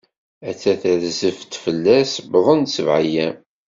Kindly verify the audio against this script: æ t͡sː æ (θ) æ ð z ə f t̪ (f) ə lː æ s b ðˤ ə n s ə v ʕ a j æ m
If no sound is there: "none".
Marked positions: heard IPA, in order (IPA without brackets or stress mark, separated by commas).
θ, f